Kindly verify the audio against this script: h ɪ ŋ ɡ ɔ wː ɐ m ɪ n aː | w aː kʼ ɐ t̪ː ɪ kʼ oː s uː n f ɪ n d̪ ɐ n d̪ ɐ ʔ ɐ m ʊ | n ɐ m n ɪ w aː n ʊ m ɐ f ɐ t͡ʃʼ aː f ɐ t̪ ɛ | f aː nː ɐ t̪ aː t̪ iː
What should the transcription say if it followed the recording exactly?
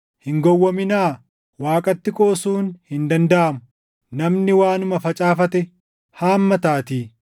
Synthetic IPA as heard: h ɪ ŋ ɡ ɔ wː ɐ m ɪ n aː | w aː kʼ ɐ t̪ː ɪ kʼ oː s uː n h ɪ n d̪ ɐ n d̪ ɐ ʔ ɐ m ʊ | n ɐ m n ɪ w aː n ʊ m ɐ f ɐ t͡ʃʼ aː f ɐ t̪ ɛ | h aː mː ɐ t̪ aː t̪ iː